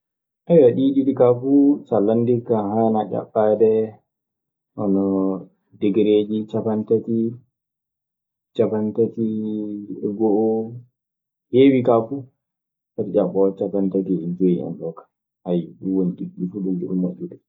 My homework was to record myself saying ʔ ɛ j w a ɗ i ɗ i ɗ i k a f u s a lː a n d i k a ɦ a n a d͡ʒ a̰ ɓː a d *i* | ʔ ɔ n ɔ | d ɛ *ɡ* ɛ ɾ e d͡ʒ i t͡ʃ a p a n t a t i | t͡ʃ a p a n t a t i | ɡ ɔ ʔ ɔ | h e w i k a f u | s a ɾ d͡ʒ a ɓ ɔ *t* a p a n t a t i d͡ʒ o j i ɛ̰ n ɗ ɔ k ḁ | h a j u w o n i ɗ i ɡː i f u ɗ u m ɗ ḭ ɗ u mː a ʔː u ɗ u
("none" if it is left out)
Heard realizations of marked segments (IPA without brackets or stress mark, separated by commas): ɛ, ɡ, t͡ʃ